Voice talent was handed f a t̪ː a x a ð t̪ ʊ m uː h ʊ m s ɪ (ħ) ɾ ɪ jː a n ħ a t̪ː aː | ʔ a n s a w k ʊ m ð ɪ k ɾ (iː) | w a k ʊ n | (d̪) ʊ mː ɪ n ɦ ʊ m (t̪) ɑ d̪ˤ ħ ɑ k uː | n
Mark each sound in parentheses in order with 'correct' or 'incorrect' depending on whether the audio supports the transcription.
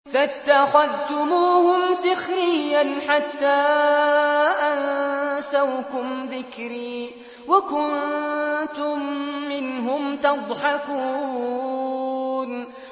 incorrect: x, correct, incorrect: t̪, correct

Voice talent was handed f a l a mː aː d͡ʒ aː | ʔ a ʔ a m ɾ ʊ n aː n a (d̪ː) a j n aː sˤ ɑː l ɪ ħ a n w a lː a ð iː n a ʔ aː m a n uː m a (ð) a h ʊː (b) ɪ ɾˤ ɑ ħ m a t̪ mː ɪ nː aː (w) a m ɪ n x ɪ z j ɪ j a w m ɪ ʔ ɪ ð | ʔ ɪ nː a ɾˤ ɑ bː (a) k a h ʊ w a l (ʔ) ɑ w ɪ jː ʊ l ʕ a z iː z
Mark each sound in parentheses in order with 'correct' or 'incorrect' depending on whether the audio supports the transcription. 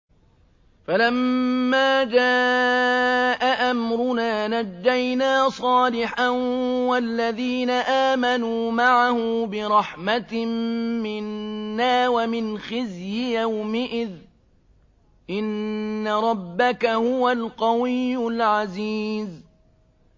correct, incorrect: ʕ, correct, correct, correct, incorrect: q

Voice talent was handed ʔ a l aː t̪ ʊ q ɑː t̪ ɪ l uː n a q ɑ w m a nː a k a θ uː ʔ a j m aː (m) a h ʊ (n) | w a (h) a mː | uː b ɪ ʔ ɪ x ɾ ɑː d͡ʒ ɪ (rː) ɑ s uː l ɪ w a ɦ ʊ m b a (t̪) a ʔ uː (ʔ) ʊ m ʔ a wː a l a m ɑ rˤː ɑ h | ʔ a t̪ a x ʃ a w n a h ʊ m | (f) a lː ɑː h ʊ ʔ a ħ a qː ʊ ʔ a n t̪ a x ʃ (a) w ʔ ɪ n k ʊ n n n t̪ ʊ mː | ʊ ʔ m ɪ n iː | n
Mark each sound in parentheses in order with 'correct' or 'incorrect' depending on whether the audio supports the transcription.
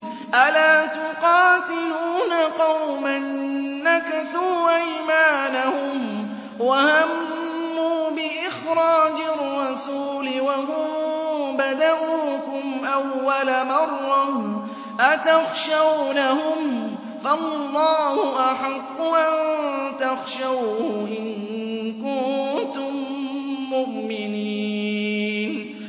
incorrect: n, incorrect: m, correct, correct, incorrect: d̪, incorrect: k, correct, correct

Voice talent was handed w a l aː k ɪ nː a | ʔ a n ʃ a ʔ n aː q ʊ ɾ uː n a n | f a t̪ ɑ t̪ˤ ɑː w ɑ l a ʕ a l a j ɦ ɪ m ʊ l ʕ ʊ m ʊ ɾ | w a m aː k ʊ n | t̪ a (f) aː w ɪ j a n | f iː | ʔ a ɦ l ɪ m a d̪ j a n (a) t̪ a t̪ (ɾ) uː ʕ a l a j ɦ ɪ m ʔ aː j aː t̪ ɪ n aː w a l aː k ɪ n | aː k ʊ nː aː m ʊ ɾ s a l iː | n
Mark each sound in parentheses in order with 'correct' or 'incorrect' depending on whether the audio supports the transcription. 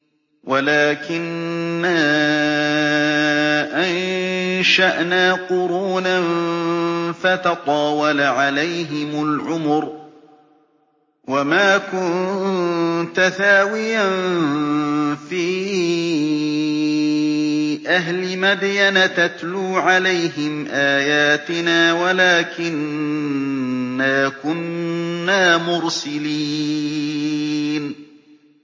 incorrect: θ, correct, incorrect: l

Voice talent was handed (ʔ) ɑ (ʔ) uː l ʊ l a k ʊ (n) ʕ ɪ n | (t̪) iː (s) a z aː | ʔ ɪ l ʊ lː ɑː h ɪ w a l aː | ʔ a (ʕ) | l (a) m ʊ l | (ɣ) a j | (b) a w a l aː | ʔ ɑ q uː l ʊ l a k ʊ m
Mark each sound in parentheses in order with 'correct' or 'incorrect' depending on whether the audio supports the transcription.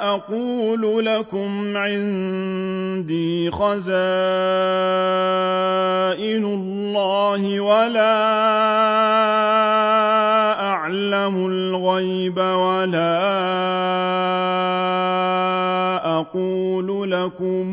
correct, incorrect: q, incorrect: m, incorrect: d̪, incorrect: x, correct, correct, correct, correct

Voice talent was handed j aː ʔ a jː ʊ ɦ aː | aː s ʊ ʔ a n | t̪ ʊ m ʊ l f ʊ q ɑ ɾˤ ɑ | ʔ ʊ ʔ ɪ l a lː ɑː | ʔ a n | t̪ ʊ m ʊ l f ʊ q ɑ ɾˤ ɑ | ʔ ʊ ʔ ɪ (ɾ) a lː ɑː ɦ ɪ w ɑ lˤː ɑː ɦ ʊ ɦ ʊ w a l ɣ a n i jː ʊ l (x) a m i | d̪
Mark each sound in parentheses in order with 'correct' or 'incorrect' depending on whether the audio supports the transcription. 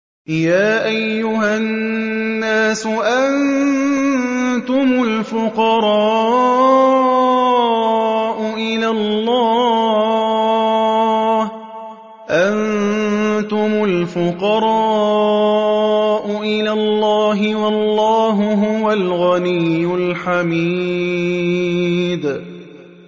incorrect: l, incorrect: ħ

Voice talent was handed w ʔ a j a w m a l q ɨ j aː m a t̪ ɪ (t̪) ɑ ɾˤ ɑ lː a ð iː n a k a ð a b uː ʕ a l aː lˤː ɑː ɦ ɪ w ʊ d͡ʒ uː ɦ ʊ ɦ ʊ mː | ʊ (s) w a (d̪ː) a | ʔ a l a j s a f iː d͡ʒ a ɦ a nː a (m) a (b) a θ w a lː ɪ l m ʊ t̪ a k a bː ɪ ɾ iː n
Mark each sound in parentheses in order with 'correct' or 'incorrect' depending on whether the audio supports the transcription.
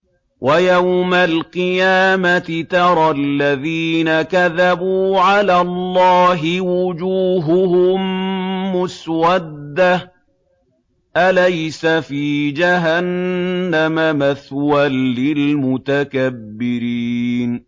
correct, correct, correct, correct, incorrect: m

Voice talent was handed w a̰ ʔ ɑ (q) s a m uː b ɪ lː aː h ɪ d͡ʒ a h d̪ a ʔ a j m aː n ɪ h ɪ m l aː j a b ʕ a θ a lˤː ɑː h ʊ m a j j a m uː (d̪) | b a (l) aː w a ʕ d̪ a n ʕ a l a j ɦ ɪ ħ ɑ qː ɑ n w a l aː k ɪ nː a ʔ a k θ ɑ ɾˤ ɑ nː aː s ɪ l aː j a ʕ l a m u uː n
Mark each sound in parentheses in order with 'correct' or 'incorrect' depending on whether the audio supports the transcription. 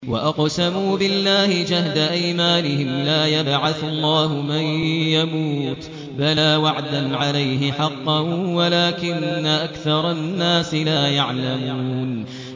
correct, incorrect: t̪, correct

